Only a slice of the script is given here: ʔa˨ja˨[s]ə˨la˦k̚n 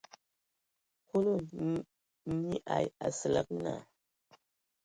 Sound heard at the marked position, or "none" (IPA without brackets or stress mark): s